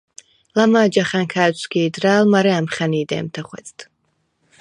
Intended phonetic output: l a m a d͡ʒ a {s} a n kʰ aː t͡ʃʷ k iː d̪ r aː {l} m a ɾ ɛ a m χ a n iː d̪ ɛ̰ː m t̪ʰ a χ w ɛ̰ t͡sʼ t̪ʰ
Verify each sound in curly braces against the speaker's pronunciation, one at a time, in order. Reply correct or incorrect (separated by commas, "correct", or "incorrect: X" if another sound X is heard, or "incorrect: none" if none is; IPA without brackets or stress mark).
incorrect: χ, correct